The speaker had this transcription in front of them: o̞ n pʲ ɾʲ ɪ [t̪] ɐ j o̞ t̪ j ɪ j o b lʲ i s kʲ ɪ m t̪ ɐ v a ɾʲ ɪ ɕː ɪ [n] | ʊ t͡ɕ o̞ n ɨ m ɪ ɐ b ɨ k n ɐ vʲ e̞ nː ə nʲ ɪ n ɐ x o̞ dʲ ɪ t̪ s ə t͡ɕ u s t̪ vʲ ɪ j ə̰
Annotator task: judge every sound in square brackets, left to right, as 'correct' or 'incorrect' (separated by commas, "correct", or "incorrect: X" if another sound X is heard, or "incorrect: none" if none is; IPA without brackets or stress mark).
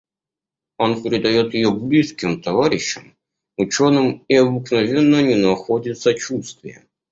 incorrect: d̪, incorrect: m